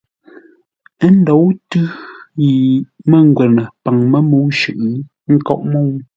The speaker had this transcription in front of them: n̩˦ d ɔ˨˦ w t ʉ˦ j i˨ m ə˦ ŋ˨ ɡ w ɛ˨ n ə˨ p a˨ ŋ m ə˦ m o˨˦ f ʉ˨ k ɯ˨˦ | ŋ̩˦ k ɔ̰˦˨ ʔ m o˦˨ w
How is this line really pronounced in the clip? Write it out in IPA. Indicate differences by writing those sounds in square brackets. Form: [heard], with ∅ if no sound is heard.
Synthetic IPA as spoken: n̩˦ d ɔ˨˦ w t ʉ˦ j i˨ m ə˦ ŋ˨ ɡ w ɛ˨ n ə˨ p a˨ ŋ m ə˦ m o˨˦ [ʃ] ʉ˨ [ʔ] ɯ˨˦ | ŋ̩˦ k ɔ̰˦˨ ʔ m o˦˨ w